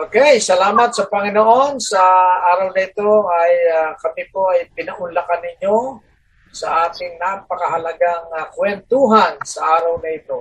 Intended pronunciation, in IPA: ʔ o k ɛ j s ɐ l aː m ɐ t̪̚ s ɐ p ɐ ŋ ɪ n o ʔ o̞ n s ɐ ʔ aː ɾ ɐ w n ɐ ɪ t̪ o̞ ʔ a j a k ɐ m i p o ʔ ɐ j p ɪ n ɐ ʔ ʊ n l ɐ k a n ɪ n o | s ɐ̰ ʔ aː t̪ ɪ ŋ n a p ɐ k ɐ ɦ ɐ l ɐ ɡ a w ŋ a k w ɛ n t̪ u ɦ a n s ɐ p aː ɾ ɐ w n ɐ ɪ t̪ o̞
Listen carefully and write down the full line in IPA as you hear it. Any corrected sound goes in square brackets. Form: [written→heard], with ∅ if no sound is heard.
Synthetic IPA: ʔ o k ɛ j s ɐ l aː m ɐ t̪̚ s ɐ p ɐ ŋ ɪ n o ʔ o̞ n s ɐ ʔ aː ɾ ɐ w n ɐ ɪ t̪ o̞ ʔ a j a k ɐ m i p o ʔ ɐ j p ɪ n ɐ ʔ ʊ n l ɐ k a n ɪ [n→ɲ] o | s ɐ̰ ʔ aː t̪ ɪ ŋ n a p ɐ k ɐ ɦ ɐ l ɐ ɡ a [w→∅] ŋ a k w ɛ n t̪ u ɦ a n s ɐ [p→ʔ] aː ɾ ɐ w n ɐ ɪ t̪ o̞